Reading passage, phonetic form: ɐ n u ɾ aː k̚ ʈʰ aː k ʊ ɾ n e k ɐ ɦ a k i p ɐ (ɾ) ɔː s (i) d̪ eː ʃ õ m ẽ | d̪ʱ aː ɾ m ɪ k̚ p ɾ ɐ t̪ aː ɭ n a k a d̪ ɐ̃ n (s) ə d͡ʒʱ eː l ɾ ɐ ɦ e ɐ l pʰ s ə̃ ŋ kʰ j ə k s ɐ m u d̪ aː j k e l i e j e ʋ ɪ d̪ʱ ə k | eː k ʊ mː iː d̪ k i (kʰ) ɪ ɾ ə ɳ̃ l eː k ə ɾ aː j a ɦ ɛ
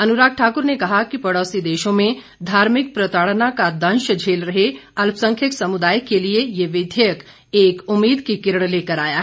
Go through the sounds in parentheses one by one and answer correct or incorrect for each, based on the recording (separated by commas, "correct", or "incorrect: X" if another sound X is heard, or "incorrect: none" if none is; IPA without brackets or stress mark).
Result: incorrect: ɽ, correct, incorrect: ʃ, incorrect: k